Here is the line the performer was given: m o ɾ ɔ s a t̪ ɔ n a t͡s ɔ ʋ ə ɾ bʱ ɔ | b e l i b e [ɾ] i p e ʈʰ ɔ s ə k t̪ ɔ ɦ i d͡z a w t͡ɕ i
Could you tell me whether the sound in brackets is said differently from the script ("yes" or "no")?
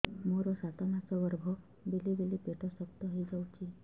yes